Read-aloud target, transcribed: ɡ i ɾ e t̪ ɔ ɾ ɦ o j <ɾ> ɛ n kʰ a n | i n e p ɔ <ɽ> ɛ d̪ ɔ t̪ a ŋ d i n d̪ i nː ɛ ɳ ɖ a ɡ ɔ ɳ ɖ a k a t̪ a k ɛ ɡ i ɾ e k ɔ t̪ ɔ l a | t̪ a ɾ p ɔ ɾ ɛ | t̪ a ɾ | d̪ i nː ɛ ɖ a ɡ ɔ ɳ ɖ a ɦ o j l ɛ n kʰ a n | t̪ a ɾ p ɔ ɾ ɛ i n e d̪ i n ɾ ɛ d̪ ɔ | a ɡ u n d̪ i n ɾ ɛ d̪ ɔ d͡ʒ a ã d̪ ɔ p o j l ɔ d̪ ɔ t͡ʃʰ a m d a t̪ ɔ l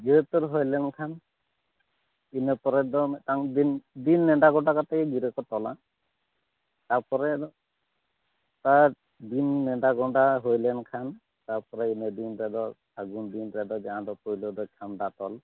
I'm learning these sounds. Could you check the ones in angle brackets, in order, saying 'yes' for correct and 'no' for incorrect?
no, no

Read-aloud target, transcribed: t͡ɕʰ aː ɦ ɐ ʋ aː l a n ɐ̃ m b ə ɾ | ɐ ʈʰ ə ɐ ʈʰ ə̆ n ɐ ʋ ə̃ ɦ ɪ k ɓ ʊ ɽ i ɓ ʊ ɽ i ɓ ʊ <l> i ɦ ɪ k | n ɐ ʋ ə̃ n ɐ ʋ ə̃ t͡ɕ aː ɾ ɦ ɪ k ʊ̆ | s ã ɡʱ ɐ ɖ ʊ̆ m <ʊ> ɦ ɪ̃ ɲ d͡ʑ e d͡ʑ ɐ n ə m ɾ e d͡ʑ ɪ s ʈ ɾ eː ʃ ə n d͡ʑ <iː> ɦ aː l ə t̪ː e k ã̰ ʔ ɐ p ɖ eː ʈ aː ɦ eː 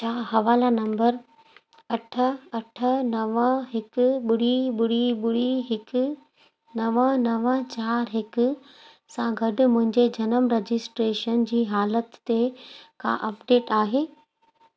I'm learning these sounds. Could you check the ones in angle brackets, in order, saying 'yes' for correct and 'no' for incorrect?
no, no, yes

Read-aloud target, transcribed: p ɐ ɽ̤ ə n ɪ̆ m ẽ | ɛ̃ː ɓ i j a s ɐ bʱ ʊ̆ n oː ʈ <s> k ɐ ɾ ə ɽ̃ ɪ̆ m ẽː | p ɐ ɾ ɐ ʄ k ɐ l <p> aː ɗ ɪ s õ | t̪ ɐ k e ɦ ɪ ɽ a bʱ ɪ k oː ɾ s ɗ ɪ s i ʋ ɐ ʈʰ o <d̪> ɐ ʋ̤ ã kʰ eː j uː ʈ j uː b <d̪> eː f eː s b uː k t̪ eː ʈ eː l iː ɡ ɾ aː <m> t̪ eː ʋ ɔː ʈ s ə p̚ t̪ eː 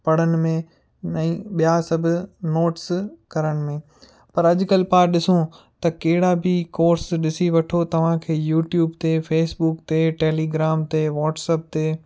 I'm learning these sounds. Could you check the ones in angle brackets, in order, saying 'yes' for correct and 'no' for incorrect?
yes, yes, no, no, yes

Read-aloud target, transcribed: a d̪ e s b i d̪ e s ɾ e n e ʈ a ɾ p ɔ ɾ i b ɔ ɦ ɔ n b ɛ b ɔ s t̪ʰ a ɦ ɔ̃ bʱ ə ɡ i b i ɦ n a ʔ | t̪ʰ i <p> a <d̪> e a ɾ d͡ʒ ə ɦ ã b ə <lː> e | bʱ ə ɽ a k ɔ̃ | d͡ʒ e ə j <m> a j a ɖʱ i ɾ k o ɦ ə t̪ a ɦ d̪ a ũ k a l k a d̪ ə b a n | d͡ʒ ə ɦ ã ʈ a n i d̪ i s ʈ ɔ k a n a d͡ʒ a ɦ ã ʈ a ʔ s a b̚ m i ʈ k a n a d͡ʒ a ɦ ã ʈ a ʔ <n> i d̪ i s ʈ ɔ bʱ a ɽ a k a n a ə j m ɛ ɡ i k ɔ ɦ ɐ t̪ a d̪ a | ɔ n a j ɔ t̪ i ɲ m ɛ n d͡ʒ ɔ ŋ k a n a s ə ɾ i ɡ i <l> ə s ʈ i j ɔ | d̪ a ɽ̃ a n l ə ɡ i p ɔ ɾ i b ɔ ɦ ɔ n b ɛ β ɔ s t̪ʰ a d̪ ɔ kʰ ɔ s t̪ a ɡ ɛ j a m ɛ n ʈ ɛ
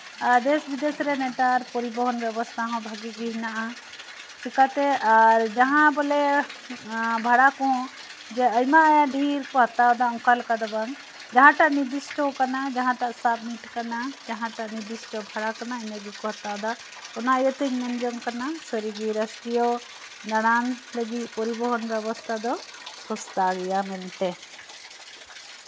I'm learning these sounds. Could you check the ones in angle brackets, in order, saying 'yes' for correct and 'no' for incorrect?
no, no, no, yes, yes, no

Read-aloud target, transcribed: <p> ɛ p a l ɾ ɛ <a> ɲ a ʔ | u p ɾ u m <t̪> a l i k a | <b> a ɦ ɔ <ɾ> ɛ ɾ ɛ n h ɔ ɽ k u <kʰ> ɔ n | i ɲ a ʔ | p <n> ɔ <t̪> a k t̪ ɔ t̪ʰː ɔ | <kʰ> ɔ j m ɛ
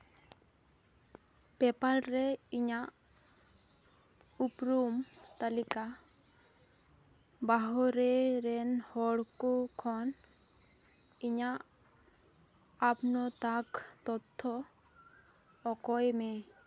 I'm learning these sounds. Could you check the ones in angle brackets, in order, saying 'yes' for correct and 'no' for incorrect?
yes, no, yes, yes, yes, yes, yes, yes, no

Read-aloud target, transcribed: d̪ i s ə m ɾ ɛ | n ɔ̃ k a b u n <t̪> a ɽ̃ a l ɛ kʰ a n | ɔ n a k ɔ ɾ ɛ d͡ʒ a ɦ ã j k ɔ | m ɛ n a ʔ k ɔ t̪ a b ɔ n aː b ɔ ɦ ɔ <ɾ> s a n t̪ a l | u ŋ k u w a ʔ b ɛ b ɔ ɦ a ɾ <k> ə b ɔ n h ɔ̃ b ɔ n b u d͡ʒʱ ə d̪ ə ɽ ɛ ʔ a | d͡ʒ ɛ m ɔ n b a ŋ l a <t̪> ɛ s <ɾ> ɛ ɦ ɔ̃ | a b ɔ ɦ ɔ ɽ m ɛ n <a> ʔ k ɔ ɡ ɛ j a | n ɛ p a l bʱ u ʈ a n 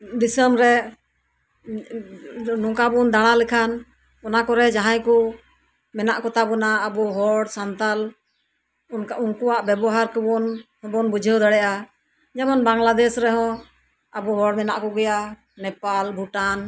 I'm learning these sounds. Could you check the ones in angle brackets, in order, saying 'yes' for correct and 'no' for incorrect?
no, no, yes, no, yes, yes

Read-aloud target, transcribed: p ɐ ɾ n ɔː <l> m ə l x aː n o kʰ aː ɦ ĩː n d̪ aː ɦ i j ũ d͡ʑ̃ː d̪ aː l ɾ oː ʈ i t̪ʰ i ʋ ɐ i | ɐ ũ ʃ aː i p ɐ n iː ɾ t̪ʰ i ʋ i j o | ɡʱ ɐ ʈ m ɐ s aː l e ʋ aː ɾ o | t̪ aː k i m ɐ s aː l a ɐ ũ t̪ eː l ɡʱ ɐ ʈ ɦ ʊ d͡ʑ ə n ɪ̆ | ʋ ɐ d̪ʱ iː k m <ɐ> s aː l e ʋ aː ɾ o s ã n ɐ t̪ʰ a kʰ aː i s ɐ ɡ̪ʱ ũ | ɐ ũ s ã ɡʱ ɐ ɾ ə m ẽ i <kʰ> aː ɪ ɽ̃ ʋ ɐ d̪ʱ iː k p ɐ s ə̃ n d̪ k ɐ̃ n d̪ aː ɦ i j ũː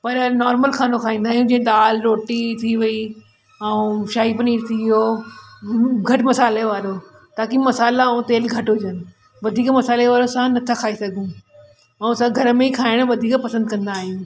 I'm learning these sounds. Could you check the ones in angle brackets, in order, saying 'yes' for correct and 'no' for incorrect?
no, yes, yes

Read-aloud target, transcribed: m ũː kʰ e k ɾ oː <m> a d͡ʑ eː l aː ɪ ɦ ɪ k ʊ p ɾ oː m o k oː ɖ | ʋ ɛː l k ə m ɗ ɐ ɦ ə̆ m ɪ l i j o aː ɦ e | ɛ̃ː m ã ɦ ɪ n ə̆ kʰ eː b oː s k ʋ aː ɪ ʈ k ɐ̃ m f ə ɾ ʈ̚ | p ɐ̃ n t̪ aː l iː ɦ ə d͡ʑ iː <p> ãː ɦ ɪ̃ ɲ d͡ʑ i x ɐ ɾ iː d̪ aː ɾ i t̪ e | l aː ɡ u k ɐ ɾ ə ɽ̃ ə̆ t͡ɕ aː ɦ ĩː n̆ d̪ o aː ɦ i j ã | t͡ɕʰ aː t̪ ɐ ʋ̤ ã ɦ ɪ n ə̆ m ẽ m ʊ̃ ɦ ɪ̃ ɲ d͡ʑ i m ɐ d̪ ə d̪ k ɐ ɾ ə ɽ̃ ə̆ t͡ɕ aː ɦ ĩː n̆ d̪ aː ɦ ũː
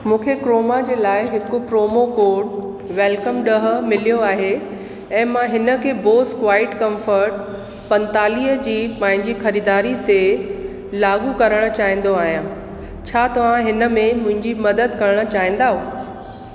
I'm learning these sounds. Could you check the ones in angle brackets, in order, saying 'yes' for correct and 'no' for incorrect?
yes, yes

